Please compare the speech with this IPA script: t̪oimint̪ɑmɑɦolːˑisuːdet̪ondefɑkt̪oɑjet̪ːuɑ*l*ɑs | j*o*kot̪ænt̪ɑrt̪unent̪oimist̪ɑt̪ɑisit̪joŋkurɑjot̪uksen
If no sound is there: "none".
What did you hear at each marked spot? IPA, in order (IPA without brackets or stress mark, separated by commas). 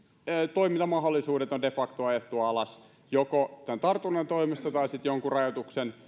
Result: l, o